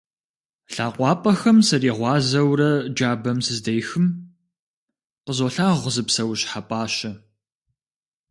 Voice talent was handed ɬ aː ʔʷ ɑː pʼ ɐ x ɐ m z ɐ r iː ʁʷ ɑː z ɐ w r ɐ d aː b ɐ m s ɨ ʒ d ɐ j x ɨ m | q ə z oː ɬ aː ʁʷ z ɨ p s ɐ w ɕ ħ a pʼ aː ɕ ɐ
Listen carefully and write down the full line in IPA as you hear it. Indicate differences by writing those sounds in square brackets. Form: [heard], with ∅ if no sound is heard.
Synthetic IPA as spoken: ɬ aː [qʷ] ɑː pʼ ɐ x ɐ m [s] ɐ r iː ʁʷ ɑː z ɐ w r ɐ [d͡ʒ] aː b ɐ m s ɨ [z] d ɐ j x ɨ m | q ə z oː ɬ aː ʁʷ z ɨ p s ɐ w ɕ ħ a pʼ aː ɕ ɐ